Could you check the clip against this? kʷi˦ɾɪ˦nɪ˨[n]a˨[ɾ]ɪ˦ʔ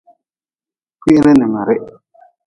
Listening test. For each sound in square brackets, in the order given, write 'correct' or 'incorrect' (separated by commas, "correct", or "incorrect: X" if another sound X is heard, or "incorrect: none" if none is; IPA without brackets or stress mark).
incorrect: m, correct